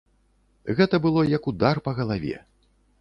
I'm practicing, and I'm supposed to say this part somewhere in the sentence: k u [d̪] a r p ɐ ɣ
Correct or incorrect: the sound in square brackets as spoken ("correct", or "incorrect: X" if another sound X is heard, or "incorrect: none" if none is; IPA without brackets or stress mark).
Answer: correct